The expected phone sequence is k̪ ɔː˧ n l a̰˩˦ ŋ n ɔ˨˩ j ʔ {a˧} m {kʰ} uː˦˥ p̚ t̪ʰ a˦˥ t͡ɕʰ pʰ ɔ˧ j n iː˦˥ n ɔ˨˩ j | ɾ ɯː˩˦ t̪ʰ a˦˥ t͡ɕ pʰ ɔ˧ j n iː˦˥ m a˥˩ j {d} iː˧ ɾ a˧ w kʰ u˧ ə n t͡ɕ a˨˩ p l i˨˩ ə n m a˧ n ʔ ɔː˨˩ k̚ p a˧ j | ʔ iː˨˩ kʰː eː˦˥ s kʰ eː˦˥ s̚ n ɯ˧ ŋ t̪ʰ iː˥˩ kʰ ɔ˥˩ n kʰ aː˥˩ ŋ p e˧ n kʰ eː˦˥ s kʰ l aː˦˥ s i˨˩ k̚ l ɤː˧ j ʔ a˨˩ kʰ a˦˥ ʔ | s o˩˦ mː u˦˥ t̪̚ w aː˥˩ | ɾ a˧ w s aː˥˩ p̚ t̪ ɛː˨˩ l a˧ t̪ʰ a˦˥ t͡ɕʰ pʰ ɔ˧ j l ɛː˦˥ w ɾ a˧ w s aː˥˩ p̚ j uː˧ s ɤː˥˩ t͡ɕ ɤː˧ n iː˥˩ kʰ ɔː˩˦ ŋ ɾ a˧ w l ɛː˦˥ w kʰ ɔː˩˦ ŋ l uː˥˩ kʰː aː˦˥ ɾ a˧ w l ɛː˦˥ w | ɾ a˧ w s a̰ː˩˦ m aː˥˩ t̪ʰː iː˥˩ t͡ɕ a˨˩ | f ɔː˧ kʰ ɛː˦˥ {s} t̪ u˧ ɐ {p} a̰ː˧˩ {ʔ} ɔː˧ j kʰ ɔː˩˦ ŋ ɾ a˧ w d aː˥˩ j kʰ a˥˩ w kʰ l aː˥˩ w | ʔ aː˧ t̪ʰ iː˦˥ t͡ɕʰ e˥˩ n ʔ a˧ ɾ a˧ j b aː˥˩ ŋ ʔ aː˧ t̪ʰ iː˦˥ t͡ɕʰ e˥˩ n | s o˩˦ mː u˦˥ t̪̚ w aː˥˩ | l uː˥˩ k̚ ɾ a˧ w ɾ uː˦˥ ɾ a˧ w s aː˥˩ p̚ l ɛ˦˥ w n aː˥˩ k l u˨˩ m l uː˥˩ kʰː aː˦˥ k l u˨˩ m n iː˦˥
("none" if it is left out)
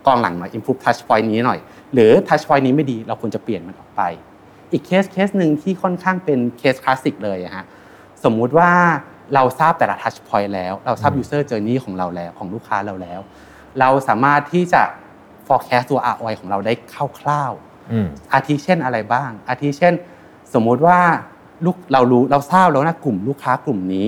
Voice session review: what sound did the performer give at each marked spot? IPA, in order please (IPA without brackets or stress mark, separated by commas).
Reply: i˧, pʰ, d, s, ʔ, ʔ